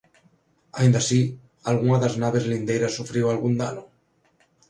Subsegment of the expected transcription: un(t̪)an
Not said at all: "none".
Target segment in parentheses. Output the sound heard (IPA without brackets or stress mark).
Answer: d̪